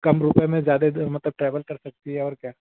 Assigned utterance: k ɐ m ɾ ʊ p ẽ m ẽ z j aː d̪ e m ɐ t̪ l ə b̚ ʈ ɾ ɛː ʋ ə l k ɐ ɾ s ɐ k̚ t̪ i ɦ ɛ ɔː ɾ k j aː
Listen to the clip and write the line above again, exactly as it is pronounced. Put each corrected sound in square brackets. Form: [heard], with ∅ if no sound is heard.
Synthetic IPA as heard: k ɐ m ɾ ʊ p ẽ m ẽ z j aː d̪ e m ɐ t̪ l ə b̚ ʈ ɾ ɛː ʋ ə l k ɐ ɾ s ɐ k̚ t̪ i ɦ ɛ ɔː ɾ k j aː